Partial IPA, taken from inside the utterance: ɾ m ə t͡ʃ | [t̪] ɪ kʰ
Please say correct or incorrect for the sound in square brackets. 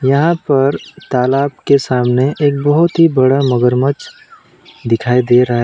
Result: incorrect